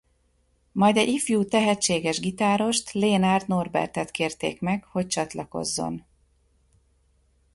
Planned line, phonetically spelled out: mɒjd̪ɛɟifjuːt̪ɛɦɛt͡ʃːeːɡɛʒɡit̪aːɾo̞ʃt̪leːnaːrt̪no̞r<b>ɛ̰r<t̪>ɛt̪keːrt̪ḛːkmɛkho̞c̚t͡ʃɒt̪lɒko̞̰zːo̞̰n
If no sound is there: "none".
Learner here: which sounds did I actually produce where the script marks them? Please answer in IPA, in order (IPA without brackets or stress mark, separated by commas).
b, t̪